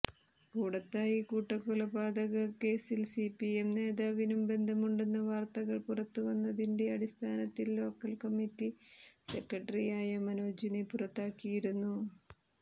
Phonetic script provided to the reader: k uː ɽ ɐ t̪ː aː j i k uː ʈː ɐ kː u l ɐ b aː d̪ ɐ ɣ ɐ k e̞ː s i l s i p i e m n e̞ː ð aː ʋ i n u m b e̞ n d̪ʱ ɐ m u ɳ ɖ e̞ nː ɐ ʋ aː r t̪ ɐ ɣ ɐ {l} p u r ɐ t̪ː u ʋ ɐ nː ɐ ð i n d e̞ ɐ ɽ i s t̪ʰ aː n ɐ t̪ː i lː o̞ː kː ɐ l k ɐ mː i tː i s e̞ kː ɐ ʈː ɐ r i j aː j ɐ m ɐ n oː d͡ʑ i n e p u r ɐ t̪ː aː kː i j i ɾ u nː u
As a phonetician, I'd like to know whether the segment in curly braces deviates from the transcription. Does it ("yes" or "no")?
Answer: yes